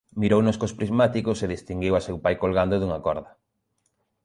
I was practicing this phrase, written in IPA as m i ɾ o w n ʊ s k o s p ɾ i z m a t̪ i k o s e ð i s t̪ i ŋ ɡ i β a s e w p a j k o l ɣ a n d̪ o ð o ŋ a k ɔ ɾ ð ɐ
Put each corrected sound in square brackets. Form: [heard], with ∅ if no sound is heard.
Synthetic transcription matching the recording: m i ɾ o w n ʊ s k o s p ɾ i z m a t̪ i k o s e ð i s t̪ i ŋ ɡ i [w] a s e w p a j k o l ɣ a n d̪ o ð [u] ŋ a k ɔ ɾ ð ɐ